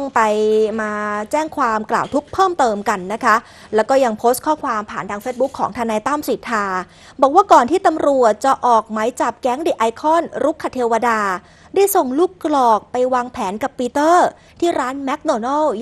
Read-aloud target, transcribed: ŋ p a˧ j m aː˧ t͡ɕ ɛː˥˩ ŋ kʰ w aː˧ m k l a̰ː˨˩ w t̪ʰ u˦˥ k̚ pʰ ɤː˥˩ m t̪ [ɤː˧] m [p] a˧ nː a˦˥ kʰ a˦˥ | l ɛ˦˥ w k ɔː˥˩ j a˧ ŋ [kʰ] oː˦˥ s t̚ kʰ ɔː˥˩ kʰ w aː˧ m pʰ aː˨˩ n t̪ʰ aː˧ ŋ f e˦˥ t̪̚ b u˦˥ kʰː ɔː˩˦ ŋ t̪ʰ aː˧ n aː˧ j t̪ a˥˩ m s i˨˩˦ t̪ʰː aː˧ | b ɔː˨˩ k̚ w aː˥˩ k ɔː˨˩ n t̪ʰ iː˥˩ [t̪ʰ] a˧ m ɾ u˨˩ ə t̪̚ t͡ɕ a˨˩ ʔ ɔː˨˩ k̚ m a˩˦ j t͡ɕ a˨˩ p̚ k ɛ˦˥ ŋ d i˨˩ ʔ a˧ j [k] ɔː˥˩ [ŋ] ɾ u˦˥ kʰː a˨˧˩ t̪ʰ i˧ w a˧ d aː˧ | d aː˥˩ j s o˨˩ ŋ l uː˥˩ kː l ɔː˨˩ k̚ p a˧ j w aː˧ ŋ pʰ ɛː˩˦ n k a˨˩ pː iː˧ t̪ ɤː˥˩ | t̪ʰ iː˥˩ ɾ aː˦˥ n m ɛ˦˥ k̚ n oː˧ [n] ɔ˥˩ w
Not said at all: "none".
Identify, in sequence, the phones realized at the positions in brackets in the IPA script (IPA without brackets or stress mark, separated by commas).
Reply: ɤː˧, k, pʰ, t̪, kʰ, n, n